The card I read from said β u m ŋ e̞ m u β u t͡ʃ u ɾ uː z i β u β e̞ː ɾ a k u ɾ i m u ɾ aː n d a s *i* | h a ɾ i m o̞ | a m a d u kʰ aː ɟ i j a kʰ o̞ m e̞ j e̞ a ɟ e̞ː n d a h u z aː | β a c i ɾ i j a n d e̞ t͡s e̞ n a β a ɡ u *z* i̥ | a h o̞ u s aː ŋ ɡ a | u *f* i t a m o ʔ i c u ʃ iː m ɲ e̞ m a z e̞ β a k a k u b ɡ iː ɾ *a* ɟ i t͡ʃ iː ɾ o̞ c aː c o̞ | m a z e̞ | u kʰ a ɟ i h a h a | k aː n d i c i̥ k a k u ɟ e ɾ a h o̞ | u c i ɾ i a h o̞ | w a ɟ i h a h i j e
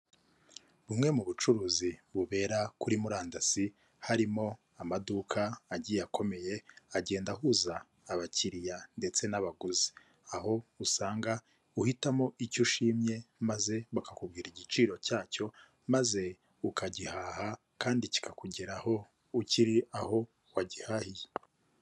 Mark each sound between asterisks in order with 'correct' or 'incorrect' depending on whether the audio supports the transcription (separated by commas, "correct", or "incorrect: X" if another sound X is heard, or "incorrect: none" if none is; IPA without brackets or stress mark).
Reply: correct, correct, incorrect: h, incorrect: i